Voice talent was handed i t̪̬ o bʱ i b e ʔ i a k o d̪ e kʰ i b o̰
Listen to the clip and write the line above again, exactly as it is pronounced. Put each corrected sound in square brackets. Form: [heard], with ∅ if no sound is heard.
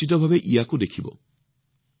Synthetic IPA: i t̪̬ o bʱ [a] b e ʔ i a k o d̪ e kʰ i b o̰